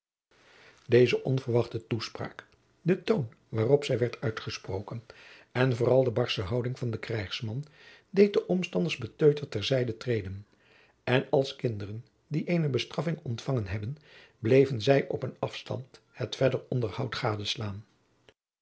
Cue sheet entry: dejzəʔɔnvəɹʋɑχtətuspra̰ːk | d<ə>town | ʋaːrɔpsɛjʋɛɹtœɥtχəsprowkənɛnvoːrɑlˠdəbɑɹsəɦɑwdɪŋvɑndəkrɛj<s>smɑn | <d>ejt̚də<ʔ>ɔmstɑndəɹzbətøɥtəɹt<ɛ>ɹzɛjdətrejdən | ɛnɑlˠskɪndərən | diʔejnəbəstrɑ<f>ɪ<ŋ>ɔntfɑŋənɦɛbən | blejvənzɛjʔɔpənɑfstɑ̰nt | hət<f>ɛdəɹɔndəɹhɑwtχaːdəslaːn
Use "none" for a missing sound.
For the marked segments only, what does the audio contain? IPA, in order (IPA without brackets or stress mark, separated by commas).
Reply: ə, χ, d, ʔ, ɛ, f, ŋ, f